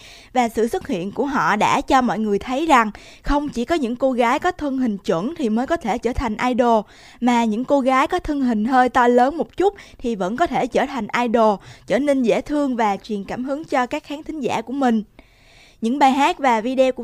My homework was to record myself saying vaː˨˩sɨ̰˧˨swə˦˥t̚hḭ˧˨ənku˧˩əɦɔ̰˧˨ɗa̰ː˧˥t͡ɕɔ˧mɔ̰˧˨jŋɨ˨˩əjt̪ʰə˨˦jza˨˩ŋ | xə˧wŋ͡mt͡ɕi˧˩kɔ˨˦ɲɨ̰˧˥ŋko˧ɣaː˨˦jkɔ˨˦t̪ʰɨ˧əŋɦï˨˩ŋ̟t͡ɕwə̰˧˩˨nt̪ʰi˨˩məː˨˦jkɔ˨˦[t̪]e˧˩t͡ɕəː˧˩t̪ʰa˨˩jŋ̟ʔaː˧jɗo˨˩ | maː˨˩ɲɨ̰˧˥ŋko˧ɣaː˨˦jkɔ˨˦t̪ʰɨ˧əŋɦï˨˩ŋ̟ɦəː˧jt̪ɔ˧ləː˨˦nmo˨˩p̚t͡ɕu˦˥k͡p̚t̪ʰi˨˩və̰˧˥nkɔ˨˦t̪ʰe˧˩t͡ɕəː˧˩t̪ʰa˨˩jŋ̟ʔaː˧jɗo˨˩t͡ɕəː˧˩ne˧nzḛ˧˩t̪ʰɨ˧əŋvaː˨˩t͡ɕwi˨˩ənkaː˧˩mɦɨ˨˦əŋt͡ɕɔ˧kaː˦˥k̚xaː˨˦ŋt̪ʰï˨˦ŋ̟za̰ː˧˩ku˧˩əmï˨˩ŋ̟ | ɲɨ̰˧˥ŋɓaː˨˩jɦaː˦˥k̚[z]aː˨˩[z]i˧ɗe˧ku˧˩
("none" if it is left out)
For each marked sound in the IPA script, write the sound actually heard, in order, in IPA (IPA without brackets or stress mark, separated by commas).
t̪ʰ, v, v